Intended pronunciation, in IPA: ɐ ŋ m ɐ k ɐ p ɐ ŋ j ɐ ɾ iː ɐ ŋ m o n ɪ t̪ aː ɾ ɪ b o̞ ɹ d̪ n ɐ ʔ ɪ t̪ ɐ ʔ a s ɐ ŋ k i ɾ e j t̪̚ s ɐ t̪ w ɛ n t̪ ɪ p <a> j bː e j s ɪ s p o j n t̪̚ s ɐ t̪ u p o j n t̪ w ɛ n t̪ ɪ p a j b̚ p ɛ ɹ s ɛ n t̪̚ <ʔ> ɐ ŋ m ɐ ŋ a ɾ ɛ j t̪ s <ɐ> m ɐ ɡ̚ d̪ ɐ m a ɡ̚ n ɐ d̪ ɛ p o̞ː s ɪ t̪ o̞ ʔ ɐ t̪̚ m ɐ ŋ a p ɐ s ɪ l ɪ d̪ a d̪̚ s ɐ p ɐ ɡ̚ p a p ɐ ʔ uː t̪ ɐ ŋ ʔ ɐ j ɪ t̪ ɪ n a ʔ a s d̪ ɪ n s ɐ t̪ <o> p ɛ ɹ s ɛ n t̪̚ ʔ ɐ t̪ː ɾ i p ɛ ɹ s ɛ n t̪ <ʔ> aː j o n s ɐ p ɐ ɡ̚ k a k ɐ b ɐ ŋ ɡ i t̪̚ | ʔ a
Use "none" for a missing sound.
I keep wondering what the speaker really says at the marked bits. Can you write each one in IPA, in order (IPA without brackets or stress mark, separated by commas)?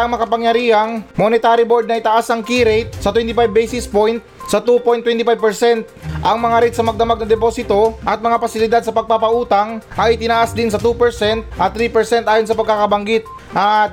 a, ʔ, ɐ, u, ʔ